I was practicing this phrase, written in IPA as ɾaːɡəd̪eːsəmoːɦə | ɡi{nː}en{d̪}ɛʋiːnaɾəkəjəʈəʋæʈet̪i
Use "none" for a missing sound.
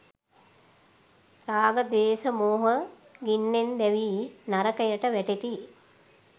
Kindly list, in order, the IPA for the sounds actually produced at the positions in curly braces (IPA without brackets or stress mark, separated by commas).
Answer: nː, d̪